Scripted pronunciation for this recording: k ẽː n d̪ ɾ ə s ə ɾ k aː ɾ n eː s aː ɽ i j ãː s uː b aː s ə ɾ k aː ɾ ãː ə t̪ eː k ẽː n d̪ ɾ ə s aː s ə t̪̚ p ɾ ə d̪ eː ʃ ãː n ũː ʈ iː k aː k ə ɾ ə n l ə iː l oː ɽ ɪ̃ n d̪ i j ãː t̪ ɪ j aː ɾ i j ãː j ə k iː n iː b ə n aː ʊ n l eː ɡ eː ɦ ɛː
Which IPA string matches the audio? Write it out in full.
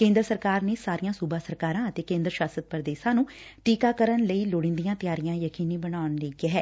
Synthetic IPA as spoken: k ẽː n d̪ ɾ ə s ə ɾ k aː ɾ n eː s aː ɾ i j ãː s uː b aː s ə ɾ k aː ɾ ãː ə t̪ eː k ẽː n d̪ ɾ ə ʃ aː s ə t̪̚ p ɾ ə d̪ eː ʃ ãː n ũː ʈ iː k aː k ə ɾ ə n l ə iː l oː ɽ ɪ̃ n d̪ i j ãː t̪ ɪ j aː ɾ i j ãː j ə k iː n iː b ə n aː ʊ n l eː ɡ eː ɦ ɛː